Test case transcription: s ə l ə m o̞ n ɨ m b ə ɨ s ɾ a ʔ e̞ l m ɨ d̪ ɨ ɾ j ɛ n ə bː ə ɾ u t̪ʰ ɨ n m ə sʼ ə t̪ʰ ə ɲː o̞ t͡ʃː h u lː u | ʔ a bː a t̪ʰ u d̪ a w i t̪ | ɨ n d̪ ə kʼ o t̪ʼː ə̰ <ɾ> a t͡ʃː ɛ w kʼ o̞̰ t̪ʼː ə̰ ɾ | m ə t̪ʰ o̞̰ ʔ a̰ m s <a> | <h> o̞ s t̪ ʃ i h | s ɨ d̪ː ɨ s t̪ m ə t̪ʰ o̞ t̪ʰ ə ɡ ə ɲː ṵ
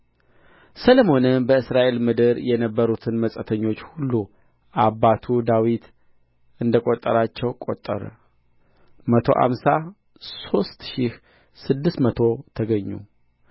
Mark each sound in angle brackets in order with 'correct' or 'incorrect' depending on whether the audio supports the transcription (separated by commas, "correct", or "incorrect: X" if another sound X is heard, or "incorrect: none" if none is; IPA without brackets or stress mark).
correct, correct, incorrect: s